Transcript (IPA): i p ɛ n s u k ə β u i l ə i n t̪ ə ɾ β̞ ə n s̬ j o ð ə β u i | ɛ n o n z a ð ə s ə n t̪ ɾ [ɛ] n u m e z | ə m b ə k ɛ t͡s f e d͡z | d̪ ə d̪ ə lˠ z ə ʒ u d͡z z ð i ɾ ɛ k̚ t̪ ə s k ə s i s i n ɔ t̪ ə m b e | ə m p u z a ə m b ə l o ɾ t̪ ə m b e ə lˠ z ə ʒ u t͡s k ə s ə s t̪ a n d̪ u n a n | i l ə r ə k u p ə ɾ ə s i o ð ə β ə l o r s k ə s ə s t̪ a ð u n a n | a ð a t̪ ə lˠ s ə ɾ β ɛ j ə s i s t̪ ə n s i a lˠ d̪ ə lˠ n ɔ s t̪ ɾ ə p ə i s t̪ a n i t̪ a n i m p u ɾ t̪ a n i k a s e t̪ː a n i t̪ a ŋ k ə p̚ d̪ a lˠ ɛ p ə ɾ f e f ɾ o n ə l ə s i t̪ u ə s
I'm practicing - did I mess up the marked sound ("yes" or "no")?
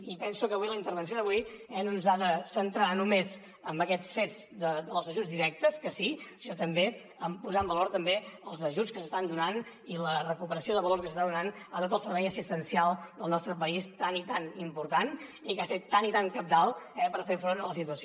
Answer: yes